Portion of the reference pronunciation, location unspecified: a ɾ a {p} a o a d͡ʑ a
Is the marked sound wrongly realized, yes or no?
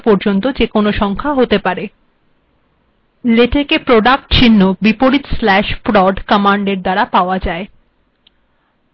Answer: no